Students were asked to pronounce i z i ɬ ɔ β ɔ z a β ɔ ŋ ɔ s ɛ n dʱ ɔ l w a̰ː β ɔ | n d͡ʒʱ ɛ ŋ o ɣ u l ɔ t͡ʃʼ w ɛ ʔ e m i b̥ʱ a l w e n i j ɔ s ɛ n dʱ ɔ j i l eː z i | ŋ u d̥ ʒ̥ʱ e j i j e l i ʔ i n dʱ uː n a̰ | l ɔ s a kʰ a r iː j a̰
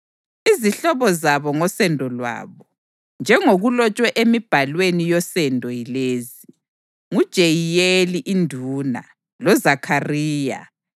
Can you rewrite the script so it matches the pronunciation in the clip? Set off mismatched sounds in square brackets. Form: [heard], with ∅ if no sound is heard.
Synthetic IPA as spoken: i z i ɬ ɔ β ɔ z a β ɔ ŋ ɔ s ɛ n dʱ ɔ l w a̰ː β ɔ | n d͡ʒʱ ɛ ŋ o ɣ u l ɔ t͡ʃʼ w ɛ ʔ e m i b̥ʱ a l w e n i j ɔ s ɛ n dʱ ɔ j i l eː z i | ŋ u d̥ ʒ̥ʱ e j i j e l i ʔ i n dʱ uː n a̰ | l ɔ [z] a kʰ a r iː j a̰

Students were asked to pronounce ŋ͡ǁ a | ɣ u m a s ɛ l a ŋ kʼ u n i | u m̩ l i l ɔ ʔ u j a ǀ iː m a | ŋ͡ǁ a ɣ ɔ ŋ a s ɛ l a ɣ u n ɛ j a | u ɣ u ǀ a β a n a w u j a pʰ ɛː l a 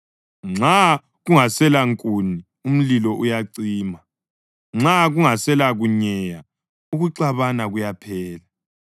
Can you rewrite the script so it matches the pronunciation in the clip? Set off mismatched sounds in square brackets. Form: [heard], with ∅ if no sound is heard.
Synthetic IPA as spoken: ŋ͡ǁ a | ɣ u [ŋ] a s ɛ l a ŋ kʼ u n i | u m̩ l i l ɔ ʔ u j a ǀ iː m a | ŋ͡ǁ a ɣ [u] ŋ a s ɛ l a ɣ u [ɲ] ɛ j a | u ɣ u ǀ a β a n a [ɣ] u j a pʰ ɛː l a

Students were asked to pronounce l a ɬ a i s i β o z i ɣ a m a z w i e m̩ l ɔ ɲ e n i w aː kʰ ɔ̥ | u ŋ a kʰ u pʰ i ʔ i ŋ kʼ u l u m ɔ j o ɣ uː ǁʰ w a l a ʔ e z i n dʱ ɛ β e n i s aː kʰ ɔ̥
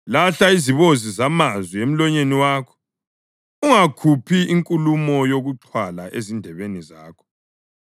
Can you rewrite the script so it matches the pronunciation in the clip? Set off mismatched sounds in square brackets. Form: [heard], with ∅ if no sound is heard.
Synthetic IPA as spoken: l a ɬ a i [z] i β o z i [z] a m a z w i e m̩ l ɔ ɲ e n i w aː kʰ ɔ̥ | u ŋ a kʰ u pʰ i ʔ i ŋ kʼ u l u m ɔ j o ɣ [u] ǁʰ w a l a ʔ e z i n dʱ ɛ β e n i [z] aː kʰ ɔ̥

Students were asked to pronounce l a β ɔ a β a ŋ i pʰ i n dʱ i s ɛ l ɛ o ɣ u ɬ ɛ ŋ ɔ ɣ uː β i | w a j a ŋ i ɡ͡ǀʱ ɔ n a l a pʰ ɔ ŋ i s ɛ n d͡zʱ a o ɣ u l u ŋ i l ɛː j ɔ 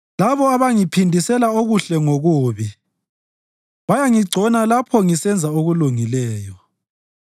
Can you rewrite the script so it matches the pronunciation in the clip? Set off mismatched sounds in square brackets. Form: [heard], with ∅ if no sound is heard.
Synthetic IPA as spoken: l a β ɔ a β a ŋ i pʰ i n dʱ i s ɛ l [a] o ɣ u ɬ ɛ ŋ [o] ɣ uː β i | [β] a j a ŋ i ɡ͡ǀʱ ɔ n a l a pʰ ɔ ŋ i s ɛ n d͡zʱ a o ɣ u l u ŋ i l ɛː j ɔ

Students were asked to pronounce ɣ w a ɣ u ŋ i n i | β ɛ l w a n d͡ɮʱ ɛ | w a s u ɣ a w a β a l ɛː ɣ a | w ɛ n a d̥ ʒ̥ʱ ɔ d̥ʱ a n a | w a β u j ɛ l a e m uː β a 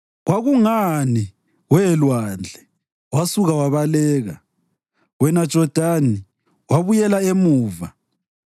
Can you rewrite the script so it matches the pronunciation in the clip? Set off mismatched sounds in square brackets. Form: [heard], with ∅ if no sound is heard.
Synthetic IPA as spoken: ɣ w a ɣ u ŋ [a] n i | [w] ɛ l w a n d͡ɮʱ ɛ | w a s u ɣ a w a β a l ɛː ɣ a | w ɛ n a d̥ ʒ̥ʱ ɔ d̥ʱ a n [i] | w a β u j ɛ l a e m uː [v] a

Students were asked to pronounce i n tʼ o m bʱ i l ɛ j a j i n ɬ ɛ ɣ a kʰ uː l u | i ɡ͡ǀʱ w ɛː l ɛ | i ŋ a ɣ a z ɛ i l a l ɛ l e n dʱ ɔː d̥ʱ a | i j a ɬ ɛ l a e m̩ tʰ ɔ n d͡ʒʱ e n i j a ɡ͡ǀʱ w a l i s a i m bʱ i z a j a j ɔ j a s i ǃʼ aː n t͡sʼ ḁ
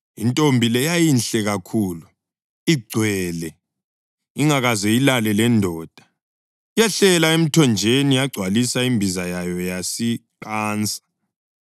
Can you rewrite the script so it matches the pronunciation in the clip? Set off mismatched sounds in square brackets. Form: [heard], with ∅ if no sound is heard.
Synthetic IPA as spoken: i n tʼ o m bʱ i l ɛ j a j i n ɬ ɛ ɣ a kʰ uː l u | i ɡ͡ǀʱ w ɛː l ɛ | i ŋ a ɣ a z ɛ i l a l ɛ l [ɛ] n dʱ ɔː d̥ʱ a | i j a ɬ ɛ l a e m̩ tʰ ɔ n d͡ʒʱ e n i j a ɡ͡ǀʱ w a l i s a i m bʱ i z a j a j ɔ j a s i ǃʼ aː n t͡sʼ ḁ

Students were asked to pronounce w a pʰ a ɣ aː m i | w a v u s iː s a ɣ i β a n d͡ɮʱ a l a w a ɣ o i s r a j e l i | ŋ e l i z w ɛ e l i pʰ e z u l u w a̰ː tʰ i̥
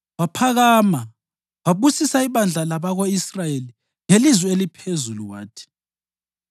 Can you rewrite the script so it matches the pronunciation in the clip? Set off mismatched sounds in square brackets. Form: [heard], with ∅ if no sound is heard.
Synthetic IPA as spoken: w a pʰ a ɣ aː m [a] | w a [β] u s [i] s a [∅] i β a n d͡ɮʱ a l a [β] a ɣ o i s r a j e l i | ŋ e l i z w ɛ e l i pʰ e z u l u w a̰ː tʰ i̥

